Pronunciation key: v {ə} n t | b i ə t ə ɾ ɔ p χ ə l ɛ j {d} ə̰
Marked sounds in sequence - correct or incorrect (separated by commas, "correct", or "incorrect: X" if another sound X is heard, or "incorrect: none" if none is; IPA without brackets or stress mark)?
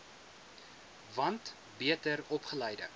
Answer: incorrect: ɐ, correct